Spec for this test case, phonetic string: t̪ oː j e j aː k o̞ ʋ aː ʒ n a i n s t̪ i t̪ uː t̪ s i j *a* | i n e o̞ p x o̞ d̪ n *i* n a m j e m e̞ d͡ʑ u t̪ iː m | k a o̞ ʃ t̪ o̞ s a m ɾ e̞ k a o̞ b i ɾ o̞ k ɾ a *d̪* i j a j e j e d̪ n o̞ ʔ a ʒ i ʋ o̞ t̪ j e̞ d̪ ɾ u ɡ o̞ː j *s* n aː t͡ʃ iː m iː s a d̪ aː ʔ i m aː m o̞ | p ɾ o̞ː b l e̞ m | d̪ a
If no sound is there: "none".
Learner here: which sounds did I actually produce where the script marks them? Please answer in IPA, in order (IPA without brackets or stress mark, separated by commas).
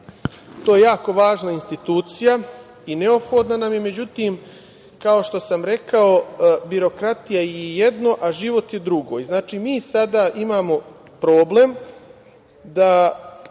a, a, t̪, z